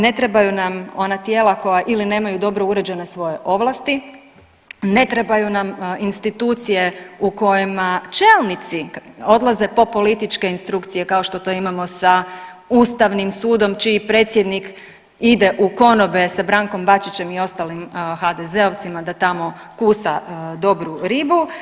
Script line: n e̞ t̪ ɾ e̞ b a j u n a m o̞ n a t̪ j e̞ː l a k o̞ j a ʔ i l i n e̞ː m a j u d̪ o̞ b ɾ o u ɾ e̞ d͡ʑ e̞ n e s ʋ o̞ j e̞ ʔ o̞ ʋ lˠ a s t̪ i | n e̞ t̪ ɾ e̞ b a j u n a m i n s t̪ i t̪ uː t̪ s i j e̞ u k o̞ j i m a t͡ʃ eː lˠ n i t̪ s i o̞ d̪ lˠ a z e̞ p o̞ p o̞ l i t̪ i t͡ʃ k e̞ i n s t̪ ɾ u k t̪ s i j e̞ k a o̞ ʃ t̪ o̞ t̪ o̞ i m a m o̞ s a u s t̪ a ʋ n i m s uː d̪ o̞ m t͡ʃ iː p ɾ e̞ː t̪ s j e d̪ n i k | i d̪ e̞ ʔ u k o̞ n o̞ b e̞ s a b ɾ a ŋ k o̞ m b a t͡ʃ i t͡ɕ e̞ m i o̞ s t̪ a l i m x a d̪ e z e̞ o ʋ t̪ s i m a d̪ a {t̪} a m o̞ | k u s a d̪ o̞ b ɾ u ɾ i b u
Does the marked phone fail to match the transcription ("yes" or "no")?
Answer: no